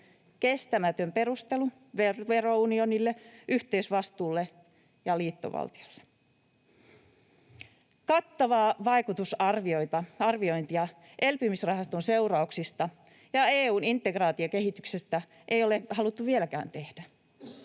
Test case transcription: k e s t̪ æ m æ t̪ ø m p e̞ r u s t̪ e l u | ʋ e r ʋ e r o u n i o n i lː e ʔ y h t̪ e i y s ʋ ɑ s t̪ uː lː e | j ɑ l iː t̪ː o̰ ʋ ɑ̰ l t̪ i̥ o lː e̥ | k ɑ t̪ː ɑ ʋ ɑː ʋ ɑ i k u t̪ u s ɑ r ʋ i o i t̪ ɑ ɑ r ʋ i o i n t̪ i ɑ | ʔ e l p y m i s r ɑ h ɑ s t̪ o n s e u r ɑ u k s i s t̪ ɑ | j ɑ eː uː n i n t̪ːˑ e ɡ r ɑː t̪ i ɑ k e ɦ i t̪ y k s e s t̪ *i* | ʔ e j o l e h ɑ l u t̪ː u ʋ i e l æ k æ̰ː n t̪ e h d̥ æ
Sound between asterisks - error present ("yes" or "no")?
yes